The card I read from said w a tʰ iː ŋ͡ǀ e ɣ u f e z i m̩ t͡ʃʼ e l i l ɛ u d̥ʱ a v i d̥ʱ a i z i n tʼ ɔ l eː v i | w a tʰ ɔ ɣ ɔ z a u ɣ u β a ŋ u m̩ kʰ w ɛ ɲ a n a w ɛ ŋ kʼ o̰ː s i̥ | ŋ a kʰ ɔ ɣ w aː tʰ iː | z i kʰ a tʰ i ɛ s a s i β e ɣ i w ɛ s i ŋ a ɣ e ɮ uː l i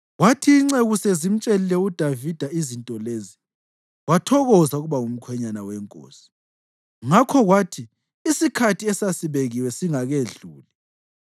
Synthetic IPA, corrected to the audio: w a tʰ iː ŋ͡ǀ e ɣ u s e z i m̩ t͡ʃʼ e l i l ɛ u d̥ʱ a v i d̥ʱ a i z i n tʼ ɔ l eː z i | w a tʰ ɔ ɣ ɔ z a u ɣ u β a ŋ u m̩ kʰ w ɛ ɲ a n a w ɛ ŋ kʼ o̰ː s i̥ | ŋ a kʰ ɔ ɣ w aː tʰ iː | s i kʰ a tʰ i ɛ s a s i β e ɣ i w ɛ s i ŋ a ɣ e ɮ uː l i